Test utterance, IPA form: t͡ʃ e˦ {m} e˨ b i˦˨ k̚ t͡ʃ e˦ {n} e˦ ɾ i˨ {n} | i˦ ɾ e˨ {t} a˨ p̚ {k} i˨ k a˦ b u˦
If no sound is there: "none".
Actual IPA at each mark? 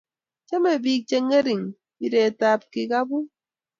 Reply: m, ŋ, ŋ, t, k

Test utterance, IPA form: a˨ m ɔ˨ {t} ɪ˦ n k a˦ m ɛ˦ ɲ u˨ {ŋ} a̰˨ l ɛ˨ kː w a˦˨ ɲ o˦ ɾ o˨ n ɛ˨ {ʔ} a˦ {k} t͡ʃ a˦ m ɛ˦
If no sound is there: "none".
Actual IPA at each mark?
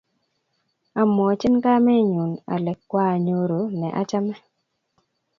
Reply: t͡ʃ, n, ʔ, none

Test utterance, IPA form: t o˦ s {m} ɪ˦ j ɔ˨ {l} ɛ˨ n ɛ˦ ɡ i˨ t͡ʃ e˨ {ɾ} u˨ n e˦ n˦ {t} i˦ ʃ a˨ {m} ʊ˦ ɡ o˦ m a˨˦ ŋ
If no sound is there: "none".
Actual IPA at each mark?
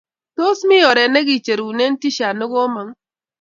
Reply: m, ɾ, ɾ, t, n

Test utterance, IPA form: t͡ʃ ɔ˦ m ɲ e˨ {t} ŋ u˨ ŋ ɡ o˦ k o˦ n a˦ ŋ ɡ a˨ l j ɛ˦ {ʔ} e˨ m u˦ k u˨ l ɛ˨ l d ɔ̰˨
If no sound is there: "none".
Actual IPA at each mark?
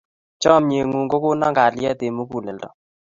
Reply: none, t

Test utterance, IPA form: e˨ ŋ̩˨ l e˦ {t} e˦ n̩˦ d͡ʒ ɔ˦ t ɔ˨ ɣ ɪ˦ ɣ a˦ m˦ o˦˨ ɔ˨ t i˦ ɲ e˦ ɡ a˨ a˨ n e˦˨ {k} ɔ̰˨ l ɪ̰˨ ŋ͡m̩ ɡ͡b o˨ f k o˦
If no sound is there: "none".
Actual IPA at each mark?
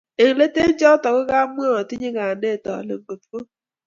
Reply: t, t

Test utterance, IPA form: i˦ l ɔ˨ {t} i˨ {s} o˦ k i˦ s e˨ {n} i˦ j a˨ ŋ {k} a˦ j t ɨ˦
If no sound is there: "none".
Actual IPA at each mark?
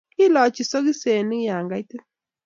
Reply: t͡ʃ, s, n, ɡ

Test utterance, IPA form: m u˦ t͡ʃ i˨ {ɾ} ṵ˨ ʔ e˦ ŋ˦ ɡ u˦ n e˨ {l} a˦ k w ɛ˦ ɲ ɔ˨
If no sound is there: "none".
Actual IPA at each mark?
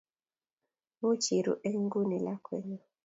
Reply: ɾ, l

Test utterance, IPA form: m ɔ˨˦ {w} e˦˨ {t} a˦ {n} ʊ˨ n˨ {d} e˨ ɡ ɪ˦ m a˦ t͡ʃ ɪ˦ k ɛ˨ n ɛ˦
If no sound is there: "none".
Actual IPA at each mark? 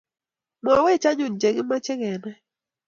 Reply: w, t͡ʃ, ɲ, d͡ʒ

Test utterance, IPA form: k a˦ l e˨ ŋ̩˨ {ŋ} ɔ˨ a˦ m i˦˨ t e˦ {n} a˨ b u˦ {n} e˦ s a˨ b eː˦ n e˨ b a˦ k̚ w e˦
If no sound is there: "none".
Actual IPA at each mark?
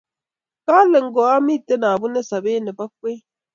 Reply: ɡ, n, n

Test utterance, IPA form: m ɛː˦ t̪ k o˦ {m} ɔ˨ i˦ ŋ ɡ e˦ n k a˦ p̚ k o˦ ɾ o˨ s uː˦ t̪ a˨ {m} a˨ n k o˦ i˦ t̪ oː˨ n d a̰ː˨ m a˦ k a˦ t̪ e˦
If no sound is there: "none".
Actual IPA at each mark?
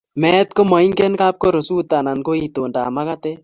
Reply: m, n

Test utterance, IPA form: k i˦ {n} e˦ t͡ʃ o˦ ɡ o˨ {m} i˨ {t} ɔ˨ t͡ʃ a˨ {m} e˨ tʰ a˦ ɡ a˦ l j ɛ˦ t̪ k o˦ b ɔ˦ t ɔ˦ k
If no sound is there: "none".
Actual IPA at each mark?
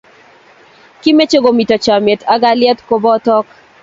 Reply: m, m, t, m

